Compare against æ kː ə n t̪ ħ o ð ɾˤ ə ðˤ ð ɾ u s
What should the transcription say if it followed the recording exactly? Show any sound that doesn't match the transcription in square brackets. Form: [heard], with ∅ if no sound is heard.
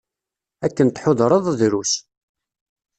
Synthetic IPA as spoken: æ kː ə n t̪ ħ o ð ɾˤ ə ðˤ ð ɾ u s